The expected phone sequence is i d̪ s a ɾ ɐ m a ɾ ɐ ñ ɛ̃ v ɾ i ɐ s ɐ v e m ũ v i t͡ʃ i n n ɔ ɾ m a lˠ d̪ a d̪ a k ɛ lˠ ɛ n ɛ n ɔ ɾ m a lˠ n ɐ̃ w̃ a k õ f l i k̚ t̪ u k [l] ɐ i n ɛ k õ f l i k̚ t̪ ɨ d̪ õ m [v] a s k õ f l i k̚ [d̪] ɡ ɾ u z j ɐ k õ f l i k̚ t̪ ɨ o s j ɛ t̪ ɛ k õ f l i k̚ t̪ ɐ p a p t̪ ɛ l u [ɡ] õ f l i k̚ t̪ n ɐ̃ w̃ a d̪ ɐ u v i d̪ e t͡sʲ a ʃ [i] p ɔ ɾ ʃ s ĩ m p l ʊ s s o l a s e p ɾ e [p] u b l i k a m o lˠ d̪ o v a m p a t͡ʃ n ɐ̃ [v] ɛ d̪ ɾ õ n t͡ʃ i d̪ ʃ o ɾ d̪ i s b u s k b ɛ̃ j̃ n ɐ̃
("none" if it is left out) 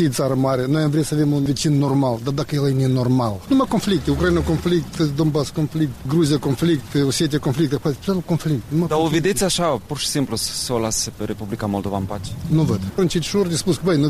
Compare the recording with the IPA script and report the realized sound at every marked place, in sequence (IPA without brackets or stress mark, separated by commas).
ɾ, b, t̪, k, a, p, v